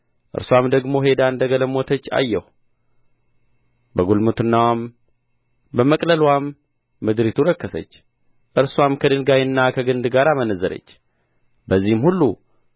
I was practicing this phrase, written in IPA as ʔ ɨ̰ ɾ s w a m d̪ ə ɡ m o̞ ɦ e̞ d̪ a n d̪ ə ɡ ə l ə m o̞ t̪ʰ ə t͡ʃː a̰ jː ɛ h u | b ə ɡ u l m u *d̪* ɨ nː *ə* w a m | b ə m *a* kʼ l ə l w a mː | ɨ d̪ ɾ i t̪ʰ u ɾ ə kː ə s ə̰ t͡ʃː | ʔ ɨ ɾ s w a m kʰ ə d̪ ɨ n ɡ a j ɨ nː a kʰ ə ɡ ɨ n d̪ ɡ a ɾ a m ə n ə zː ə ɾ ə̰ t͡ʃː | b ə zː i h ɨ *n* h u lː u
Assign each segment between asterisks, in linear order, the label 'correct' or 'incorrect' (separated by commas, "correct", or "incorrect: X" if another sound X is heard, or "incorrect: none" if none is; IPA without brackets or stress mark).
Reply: incorrect: t̪, incorrect: a, incorrect: ə, incorrect: m